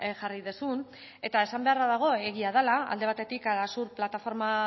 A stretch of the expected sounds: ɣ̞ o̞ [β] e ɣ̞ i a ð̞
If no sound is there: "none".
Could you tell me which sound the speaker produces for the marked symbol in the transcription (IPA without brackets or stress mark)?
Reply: none